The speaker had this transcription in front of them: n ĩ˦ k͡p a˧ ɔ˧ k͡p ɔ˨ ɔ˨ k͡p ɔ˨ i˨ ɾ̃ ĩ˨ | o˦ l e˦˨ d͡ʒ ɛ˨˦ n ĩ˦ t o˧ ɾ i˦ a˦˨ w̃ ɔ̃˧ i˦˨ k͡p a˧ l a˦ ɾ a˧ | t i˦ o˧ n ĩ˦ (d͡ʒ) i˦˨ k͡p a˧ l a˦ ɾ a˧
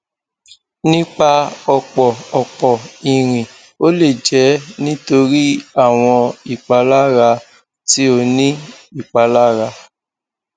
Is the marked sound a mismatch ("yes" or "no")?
yes